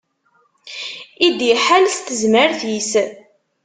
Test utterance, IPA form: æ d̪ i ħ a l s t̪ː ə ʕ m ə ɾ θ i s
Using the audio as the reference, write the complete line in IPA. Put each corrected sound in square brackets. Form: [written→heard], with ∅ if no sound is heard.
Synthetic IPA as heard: [æ→i] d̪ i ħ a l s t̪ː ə [ʕ→z] m ə ɾ θ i s